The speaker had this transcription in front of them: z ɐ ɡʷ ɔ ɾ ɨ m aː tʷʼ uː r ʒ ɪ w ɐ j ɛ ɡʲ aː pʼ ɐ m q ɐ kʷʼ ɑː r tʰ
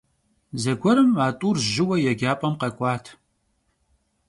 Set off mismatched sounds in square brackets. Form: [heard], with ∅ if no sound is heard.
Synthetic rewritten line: z ɐ ɡʷ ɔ ɾ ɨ m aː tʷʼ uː r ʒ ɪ w ɐ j ɛ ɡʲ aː pʼ ɐ m q ɐ kʷʼ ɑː [∅] tʰ